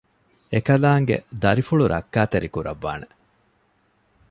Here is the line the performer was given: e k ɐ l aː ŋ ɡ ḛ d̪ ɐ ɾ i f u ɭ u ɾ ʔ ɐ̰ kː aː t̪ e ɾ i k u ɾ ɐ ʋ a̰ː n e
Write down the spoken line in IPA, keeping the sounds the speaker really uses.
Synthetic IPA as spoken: e k ɐ l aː ŋ ɡ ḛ d̪ ɐ ɾ i f u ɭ u ɾ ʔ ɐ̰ kː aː t̪ e ɾ i k u ɾ ɐ ʋː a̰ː n e